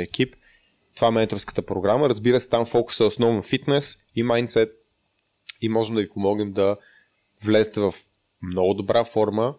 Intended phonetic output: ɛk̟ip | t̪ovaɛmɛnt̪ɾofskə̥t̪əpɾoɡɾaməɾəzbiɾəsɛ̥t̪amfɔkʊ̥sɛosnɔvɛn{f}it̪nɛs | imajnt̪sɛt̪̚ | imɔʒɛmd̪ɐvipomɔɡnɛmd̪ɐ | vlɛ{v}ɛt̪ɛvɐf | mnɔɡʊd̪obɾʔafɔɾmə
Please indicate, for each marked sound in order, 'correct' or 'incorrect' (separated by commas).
correct, incorrect